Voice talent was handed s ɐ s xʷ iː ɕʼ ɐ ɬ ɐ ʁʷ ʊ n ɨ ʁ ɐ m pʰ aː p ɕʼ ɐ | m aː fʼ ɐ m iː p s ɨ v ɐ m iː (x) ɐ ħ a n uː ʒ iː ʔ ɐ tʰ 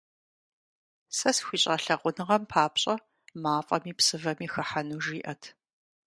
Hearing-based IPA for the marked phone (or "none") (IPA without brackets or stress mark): x